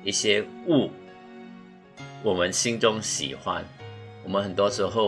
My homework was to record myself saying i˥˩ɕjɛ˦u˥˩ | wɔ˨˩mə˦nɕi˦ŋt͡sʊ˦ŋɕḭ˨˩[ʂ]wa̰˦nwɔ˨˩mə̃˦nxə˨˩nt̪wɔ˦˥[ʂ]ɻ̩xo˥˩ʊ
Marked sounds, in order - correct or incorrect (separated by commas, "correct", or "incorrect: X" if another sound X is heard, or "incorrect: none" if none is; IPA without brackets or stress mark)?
incorrect: x, correct